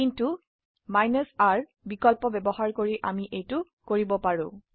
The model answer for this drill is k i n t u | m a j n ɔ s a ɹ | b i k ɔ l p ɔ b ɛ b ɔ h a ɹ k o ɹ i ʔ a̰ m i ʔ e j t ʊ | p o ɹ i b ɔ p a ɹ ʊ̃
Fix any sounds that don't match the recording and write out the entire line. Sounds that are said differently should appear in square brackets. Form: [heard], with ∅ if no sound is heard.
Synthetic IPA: k i n t u | m a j n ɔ s a ɹ | b i k ɔ l p ɔ b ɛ b ɔ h a ɹ k o ɹ i ʔ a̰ m i ʔ e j t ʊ | [k] o ɹ i b ɔ p a ɹ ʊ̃